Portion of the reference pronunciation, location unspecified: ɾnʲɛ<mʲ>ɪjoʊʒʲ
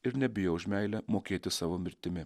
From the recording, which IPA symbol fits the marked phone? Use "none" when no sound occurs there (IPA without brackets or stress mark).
bʲ